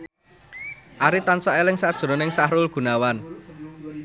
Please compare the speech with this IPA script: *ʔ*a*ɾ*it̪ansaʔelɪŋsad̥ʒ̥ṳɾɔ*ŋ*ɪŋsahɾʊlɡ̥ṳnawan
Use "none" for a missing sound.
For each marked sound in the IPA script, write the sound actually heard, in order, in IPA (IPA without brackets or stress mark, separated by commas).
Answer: ʔ, ɾ, n